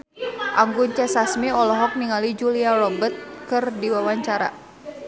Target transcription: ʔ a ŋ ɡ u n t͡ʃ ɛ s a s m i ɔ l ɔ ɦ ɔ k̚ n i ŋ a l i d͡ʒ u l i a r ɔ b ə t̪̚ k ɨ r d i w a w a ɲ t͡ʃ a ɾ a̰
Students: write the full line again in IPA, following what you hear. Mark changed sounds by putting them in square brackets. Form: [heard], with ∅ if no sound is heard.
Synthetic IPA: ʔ a ŋ ɡ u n t͡ʃ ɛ s a s m i ɔ l ɔ ɦ ɔ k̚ n i ŋ a l i d͡ʒ u l i a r ɔ b ə t̪̚ k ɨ r d i w a w a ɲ t͡ʃ a ɾ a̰